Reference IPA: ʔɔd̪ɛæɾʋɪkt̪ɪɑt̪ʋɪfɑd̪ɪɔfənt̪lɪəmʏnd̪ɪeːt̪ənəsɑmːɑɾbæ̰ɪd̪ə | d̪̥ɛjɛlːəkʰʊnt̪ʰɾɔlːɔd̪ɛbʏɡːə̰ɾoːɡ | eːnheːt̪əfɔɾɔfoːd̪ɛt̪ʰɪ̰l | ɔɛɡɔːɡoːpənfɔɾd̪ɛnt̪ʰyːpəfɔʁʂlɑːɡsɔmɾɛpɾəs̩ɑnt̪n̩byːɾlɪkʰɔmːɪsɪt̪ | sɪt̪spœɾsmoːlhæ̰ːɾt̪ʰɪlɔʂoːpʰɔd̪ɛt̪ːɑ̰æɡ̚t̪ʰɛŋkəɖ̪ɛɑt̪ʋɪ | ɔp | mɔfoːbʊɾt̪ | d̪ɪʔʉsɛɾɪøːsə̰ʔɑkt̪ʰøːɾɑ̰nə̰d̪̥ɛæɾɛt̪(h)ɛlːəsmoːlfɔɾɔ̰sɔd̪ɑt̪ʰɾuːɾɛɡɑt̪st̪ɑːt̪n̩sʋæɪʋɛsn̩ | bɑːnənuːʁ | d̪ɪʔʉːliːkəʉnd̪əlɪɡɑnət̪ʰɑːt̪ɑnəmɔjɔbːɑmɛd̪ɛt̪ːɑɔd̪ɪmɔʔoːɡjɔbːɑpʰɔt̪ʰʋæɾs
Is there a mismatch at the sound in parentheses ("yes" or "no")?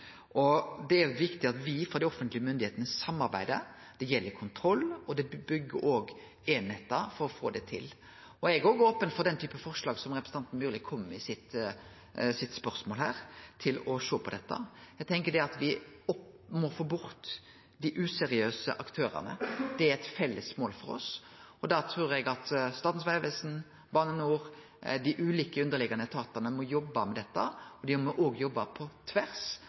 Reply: yes